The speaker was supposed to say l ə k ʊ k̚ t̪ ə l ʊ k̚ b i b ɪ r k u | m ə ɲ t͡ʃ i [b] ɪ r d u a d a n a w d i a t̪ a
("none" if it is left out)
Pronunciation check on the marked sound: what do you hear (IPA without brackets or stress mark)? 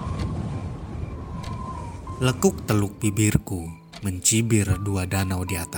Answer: b